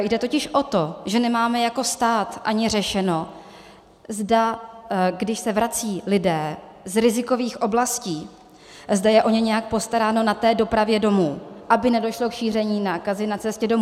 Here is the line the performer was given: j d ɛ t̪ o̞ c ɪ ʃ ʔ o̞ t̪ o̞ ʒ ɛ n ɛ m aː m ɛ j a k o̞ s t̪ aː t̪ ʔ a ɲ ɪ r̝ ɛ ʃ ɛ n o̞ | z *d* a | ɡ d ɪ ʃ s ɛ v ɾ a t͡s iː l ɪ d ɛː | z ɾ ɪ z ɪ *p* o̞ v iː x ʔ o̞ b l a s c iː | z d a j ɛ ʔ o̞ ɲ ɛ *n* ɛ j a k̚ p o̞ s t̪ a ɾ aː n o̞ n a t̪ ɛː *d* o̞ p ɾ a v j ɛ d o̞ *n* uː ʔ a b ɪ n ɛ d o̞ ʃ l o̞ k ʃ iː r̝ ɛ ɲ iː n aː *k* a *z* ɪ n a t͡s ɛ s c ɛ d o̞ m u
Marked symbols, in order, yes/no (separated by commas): yes, no, no, yes, no, yes, yes